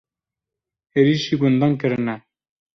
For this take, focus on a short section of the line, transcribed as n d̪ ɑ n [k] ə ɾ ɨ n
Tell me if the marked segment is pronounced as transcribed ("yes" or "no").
yes